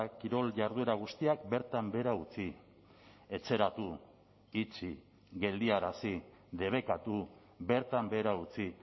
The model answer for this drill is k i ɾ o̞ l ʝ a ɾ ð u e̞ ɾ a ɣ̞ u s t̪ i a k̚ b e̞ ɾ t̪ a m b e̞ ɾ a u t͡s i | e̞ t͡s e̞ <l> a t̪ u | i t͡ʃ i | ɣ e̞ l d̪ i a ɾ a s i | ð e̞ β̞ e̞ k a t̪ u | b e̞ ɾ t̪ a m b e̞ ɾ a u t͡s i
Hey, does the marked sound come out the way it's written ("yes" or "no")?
no